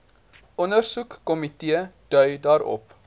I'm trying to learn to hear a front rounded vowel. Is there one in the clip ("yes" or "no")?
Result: yes